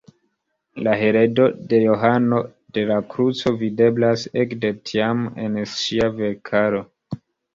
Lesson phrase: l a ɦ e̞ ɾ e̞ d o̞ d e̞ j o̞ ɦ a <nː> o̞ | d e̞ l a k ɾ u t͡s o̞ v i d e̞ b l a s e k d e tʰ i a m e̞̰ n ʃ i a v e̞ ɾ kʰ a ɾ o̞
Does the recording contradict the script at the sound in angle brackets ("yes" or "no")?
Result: yes